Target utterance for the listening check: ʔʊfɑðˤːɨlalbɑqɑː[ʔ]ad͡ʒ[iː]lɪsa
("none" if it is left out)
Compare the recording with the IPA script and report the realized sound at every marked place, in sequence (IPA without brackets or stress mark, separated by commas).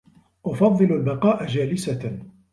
ʔ, aː